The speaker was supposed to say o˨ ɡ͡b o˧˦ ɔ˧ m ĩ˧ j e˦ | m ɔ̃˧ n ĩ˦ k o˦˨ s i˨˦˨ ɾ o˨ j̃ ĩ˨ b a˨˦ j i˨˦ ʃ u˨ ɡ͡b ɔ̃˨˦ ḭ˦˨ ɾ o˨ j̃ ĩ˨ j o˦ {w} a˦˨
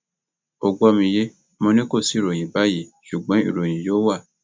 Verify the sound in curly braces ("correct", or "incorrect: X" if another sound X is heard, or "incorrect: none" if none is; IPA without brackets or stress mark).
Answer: correct